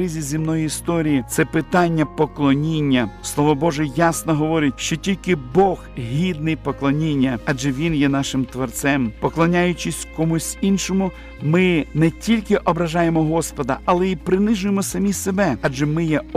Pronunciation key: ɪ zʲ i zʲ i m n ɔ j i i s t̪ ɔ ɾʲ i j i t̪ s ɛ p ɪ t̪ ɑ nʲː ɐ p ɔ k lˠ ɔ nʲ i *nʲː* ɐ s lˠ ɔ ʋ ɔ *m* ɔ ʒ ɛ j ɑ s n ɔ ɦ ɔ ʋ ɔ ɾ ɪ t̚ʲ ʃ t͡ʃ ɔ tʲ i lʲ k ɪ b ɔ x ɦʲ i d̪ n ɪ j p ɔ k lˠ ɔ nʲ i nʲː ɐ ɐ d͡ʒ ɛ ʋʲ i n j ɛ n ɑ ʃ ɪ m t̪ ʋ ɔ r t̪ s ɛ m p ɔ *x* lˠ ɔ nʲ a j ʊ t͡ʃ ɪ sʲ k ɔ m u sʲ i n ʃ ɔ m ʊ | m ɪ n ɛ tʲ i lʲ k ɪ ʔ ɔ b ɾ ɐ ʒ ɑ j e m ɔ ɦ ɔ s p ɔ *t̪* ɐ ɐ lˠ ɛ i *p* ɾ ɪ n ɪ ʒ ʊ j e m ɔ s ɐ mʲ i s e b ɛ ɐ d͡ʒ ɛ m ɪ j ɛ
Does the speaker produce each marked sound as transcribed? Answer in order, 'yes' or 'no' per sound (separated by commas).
yes, no, no, no, yes